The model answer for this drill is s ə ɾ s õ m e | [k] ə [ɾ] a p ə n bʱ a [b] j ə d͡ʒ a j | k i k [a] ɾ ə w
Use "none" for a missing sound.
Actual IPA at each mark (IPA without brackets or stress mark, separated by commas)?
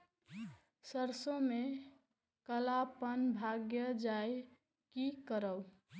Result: k, l, ɡ, ə